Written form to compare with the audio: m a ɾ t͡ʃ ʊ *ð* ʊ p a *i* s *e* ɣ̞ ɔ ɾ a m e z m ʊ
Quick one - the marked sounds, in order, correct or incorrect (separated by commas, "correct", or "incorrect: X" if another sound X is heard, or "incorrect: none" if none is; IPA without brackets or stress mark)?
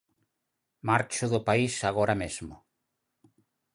correct, correct, incorrect: a